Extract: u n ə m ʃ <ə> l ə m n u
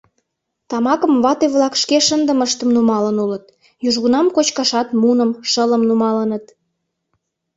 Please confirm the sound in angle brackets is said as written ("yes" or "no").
yes